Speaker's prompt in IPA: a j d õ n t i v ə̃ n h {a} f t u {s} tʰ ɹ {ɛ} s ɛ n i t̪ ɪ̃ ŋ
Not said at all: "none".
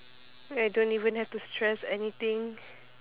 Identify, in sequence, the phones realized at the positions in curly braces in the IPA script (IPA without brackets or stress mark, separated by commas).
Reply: ɛ, s, ɛ